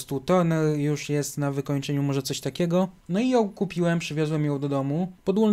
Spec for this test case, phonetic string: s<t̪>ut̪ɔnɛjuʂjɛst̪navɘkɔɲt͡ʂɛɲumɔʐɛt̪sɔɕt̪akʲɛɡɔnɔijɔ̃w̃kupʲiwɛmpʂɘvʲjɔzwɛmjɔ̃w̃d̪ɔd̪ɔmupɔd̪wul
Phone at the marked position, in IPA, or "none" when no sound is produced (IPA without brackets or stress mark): t̪